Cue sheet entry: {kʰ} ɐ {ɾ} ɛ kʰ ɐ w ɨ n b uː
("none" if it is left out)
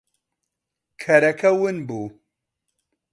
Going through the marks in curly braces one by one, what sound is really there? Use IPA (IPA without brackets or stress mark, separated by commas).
kʰ, ɾ